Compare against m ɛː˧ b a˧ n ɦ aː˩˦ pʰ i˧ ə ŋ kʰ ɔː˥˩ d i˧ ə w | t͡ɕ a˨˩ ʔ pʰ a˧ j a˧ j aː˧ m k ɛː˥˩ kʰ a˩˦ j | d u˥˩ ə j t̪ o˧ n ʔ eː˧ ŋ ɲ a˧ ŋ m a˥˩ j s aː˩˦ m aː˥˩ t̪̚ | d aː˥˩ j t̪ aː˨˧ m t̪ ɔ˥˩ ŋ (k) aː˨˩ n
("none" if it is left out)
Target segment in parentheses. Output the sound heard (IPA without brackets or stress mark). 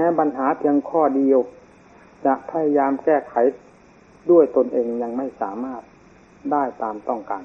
k